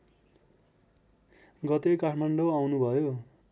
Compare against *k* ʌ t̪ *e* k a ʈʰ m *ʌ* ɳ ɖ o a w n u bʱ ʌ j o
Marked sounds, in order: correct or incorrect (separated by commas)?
incorrect, correct, incorrect